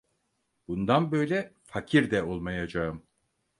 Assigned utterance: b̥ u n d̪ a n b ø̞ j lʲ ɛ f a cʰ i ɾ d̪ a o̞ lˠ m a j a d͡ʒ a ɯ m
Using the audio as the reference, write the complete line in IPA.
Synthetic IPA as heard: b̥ u n d̪ a n b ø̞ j lʲ ɛ f a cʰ i ɾ d̪ ɛ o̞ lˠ m a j a d͡ʒ a ɯ m